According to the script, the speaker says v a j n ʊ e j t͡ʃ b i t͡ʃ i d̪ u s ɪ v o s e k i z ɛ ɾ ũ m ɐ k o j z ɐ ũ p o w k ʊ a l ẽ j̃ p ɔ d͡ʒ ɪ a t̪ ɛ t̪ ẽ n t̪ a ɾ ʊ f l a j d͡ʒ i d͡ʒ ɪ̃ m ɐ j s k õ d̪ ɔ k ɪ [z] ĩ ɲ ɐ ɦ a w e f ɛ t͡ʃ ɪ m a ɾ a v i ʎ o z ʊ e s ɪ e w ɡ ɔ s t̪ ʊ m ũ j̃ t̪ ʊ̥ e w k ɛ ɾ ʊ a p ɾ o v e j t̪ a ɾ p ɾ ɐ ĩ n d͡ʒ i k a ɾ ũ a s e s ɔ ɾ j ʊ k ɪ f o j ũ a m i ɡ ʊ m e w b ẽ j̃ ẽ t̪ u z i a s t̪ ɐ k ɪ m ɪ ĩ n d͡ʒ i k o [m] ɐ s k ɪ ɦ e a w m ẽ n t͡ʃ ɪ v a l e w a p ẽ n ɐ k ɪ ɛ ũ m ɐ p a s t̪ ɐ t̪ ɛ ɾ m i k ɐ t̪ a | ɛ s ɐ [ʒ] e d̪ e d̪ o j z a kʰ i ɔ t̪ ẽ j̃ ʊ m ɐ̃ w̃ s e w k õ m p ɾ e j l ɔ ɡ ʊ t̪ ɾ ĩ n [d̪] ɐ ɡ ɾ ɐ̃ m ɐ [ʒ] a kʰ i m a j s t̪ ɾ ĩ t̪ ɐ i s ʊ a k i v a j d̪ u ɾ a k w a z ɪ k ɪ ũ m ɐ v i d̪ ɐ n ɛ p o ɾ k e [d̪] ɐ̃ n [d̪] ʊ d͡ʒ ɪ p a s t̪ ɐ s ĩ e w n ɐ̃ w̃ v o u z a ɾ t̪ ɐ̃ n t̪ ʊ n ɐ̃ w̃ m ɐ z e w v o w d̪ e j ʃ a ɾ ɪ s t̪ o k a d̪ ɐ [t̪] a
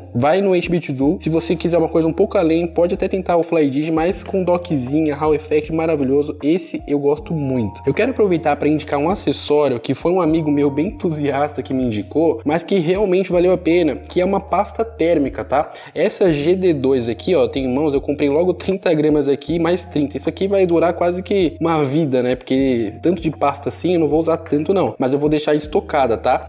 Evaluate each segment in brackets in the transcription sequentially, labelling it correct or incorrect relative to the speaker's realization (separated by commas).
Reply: correct, correct, correct, incorrect, incorrect, incorrect, incorrect, correct